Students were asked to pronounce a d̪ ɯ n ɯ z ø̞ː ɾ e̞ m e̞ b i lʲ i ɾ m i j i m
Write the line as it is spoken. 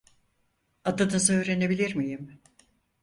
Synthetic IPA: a d̪ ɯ n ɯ z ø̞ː ɾ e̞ n e̞ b i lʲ i ɾ m i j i m